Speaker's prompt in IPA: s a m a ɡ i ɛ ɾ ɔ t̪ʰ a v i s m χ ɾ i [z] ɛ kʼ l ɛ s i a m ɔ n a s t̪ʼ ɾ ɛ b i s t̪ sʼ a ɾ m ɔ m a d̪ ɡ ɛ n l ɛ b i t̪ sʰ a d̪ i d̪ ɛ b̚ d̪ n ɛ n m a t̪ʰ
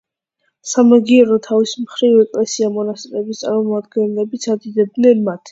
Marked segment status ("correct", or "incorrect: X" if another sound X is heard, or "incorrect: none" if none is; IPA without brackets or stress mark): incorrect: v